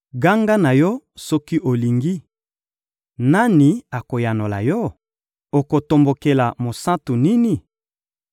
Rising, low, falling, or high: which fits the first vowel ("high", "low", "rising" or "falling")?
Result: high